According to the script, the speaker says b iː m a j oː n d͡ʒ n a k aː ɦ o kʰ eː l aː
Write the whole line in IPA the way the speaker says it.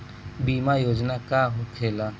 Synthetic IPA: b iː m a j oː d͡ʒ n a k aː ɦ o kʰ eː l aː